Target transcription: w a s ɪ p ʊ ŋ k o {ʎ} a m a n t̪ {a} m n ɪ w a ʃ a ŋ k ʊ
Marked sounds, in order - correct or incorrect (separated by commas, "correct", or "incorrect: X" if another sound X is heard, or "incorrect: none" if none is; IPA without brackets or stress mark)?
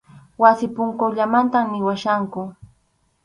correct, correct